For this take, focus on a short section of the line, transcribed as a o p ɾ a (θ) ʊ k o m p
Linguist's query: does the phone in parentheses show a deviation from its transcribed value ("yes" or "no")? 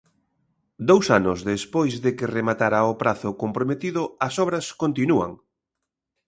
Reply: no